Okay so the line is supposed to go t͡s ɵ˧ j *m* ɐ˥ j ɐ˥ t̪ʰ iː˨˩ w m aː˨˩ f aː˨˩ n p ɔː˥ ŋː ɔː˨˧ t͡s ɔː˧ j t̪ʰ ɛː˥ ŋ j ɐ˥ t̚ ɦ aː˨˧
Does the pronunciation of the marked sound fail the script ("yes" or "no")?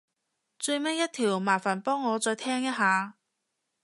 no